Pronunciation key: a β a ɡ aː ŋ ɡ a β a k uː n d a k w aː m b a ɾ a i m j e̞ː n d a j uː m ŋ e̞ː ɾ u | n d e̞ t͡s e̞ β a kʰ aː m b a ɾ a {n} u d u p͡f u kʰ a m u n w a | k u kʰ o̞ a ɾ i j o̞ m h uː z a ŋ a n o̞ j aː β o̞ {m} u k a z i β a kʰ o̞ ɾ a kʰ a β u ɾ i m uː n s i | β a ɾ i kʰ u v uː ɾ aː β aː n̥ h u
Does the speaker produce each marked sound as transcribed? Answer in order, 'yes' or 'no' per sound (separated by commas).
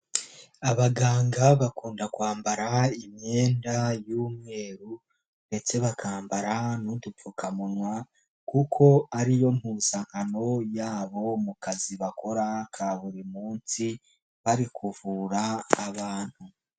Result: yes, yes